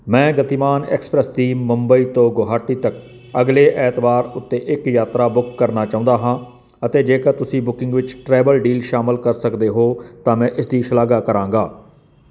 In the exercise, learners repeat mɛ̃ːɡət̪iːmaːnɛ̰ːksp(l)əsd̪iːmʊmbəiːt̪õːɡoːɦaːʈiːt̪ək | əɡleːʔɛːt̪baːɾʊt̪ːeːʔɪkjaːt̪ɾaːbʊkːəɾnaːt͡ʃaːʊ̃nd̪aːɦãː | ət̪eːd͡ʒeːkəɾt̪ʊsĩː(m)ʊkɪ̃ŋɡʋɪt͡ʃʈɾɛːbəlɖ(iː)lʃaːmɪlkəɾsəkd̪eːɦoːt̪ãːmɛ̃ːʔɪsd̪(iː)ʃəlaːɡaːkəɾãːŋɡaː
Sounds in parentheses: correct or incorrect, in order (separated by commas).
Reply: incorrect, incorrect, correct, correct